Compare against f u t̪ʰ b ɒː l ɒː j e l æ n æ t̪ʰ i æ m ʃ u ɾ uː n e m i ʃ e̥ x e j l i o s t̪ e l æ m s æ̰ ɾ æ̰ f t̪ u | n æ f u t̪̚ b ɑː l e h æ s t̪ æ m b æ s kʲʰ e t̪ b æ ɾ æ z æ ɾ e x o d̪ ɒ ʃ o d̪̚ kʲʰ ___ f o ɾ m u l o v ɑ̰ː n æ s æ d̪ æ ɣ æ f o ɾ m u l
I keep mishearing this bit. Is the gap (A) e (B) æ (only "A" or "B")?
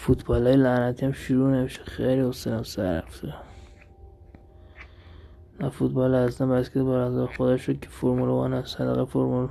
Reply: A